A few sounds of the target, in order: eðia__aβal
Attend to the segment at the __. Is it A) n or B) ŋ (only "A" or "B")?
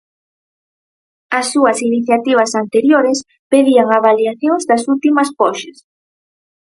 B